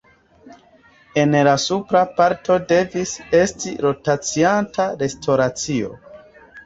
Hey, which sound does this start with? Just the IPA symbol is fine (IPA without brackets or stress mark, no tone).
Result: e̞